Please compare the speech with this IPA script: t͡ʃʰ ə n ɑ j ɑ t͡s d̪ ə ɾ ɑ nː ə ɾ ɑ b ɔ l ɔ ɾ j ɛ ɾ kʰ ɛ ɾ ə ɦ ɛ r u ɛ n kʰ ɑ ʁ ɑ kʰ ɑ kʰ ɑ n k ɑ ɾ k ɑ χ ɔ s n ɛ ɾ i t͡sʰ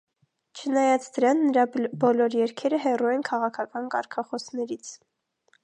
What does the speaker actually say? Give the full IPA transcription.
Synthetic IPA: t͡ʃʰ ə n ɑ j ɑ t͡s d̪ ə ɾ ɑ nː ə ɾ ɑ b ɔ l ɔ ɾ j ɛ ɾ kʰ ɛ ɾ ə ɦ ɛ r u ɛ n kʰ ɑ ʁ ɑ kʰ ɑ k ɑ n k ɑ ɾ kʰ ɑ χ ɔ s n ɛ ɾ i t͡sʰ